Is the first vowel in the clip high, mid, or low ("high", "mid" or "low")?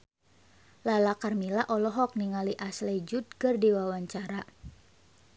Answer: low